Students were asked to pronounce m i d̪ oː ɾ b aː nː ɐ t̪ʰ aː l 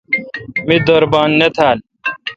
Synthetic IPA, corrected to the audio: m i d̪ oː ɾ b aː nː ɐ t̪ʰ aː l